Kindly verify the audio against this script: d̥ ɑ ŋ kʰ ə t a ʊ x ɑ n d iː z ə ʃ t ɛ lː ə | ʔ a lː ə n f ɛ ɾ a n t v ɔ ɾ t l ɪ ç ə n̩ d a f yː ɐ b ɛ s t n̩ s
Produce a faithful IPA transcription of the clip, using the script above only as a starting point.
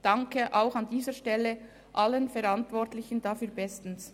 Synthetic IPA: d̥ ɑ ŋ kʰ ə ʔ a ʊ x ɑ n d iː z ə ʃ t ɛ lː ə | ʔ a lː ə n f ɛ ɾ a n t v ɔ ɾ t l ɪ ç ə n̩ d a f yː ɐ b ɛ s t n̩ s